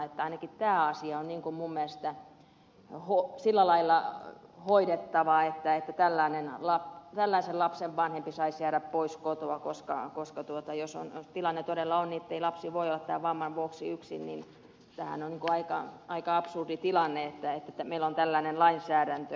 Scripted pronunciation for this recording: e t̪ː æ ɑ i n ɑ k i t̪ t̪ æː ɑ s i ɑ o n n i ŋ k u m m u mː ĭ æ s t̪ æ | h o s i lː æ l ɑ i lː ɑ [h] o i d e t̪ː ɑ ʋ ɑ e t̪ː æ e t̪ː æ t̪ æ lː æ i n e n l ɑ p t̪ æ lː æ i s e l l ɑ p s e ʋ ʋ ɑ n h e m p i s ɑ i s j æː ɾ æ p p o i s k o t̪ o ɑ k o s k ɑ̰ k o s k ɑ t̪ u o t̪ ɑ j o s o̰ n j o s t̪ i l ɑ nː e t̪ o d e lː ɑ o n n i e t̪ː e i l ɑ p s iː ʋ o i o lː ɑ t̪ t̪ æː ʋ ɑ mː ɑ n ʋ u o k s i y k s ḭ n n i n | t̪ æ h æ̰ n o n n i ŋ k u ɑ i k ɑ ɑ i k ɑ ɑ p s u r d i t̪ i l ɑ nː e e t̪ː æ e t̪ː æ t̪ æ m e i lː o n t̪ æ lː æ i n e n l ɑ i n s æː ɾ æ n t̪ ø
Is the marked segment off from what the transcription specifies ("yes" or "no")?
no